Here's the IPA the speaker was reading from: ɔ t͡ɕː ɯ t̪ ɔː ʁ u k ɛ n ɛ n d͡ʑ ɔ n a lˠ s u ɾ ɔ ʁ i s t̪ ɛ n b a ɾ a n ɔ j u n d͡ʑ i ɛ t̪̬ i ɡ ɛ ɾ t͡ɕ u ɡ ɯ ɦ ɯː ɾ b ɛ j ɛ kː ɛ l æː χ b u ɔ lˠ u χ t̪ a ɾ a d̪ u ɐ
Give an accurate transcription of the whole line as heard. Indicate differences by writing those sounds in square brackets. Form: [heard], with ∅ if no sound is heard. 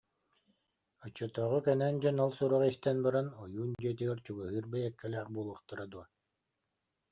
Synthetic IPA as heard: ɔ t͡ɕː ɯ t̪ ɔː ʁ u k ɛ n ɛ n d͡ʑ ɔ n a lˠ s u ɾ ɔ ʁ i s t̪ ɛ n b a ɾ a n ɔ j [uː] n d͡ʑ i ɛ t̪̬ i ɡ ɛ ɾ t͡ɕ u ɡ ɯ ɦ ɯː ɾ b ɛ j ɛ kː ɛ l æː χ b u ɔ lˠ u χ t̪ a ɾ a d̪ u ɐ